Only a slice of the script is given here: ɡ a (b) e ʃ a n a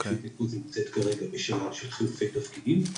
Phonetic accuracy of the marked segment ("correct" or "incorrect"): correct